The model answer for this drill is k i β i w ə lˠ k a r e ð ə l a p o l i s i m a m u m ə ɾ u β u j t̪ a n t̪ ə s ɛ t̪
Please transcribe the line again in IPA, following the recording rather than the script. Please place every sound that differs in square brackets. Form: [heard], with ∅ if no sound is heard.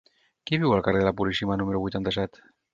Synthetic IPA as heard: k i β i w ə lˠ k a r e ð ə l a p [u] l i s i m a [n] u m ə ɾ u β u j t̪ a n t̪ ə s ɛ t̪